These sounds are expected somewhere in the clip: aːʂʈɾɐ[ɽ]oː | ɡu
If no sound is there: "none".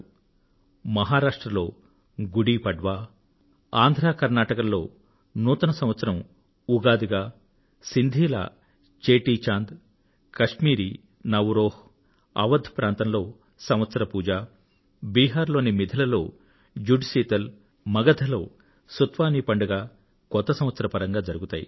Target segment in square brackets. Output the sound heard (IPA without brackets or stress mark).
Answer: l